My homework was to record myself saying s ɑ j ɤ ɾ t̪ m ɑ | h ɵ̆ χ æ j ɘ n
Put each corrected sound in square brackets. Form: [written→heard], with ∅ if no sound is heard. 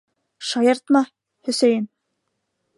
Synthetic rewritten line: [s→ʃ] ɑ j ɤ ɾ t̪ m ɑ | h ɵ̆ [χ→s] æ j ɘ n